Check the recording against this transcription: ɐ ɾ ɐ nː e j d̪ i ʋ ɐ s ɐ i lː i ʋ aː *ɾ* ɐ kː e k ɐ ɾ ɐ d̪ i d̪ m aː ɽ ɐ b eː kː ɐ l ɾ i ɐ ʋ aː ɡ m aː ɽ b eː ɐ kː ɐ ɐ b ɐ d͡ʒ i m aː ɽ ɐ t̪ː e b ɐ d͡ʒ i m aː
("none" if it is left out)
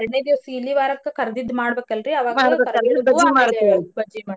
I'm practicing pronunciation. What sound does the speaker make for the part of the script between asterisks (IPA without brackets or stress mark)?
ɾ